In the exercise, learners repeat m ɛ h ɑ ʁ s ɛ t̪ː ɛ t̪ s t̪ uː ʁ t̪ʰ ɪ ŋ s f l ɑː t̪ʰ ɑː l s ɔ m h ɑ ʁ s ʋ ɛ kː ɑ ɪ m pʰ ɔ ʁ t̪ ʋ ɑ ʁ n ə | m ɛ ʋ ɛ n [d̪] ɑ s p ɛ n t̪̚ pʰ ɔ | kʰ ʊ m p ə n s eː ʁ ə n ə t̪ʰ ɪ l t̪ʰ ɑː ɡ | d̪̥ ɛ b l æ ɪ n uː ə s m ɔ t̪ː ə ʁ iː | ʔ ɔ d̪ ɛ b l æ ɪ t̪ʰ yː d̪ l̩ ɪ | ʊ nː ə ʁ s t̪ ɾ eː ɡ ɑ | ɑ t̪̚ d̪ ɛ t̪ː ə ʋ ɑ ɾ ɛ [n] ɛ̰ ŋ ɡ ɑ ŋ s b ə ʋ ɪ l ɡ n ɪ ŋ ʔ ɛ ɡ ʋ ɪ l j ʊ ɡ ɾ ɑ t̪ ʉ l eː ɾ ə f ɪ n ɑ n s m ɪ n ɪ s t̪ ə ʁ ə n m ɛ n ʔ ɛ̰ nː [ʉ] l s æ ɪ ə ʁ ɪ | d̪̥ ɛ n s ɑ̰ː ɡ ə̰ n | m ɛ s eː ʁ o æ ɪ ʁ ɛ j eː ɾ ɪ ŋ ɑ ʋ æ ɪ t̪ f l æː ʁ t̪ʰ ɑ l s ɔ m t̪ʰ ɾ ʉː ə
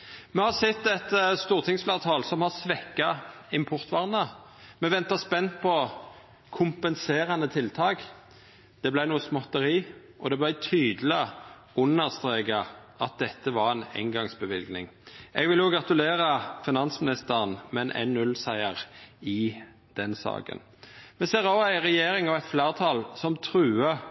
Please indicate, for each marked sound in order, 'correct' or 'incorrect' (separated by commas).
incorrect, correct, correct